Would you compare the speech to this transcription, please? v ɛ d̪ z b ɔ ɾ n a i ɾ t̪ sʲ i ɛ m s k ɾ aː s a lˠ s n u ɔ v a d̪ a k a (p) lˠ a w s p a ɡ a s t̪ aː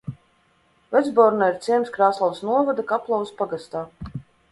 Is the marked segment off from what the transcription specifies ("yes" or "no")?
no